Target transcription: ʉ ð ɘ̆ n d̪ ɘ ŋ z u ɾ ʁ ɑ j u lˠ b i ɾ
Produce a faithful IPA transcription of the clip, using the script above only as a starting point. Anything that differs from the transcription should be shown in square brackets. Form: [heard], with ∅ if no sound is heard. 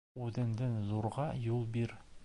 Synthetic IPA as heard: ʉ ð ɘ̆ n d̪ ɘ [n] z u ɾ ʁ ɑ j u lˠ b i ɾ